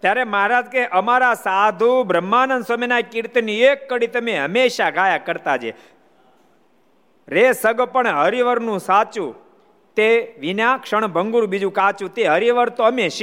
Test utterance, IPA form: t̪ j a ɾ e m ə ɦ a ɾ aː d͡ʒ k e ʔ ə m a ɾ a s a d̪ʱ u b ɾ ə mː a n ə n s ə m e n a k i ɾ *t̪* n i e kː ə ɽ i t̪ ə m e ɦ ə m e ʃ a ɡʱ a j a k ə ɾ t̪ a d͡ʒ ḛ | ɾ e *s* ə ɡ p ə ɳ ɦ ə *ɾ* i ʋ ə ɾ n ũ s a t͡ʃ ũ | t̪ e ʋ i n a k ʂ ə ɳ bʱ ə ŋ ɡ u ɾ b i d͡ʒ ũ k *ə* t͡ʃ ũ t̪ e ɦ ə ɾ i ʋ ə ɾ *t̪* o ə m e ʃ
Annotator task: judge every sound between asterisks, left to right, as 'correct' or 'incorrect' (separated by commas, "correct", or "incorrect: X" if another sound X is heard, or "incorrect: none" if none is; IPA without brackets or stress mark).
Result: correct, correct, correct, incorrect: a, correct